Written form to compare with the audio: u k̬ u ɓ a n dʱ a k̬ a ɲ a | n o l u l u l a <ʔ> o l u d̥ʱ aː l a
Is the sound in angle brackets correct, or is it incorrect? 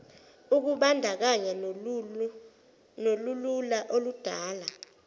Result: correct